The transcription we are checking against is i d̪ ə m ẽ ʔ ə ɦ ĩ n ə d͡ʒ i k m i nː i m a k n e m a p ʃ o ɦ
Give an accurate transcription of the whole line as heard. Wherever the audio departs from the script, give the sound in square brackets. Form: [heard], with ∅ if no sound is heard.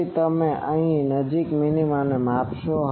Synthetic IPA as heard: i [t̪] ə m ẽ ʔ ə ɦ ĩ n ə d͡ʒ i k m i [n] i m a [∅] n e m a p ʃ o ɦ